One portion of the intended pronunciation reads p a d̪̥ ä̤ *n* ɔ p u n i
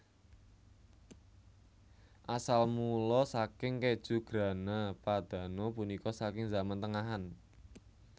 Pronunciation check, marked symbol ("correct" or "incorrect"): correct